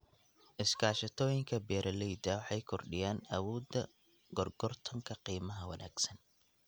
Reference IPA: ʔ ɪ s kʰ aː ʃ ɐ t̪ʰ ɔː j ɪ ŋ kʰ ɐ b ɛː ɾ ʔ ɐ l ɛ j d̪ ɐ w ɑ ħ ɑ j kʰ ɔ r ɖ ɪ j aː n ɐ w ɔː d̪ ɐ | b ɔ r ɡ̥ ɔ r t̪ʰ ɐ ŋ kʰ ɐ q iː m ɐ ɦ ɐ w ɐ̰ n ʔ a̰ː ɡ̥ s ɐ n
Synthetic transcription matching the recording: ʔ ɪ s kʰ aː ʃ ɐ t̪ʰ ɔː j ɪ ŋ kʰ ɐ b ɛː ɾ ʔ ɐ l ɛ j d̪ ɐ w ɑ ħ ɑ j kʰ ɔ r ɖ ɪ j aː n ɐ w ɔː d̪ ɐ | ɡ ɔ r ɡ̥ ɔ r t̪ʰ ɐ ŋ kʰ ɐ q iː m ɐ ɦ ɐ w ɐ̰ n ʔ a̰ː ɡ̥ s ɐ n